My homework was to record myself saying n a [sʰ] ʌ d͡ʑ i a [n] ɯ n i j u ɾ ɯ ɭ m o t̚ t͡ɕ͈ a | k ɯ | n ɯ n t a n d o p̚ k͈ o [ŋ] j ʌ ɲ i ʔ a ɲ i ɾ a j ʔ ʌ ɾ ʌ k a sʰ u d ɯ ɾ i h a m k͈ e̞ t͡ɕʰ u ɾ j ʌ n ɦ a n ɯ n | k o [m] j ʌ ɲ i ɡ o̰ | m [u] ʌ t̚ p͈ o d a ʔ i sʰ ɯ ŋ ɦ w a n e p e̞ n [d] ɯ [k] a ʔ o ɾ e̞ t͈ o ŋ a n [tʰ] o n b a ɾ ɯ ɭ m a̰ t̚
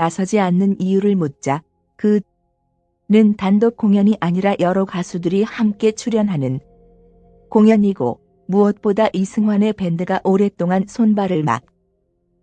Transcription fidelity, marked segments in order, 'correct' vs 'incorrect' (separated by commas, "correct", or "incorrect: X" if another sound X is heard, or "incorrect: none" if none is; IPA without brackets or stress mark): correct, incorrect: nː, correct, incorrect: ŋ, correct, correct, incorrect: ɡ, incorrect: sʰ